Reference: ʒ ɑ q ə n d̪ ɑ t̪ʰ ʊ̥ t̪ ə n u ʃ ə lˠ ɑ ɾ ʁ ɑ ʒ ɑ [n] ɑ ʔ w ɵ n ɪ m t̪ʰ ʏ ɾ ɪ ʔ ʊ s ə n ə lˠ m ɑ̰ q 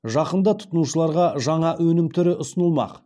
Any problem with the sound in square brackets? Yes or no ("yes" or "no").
yes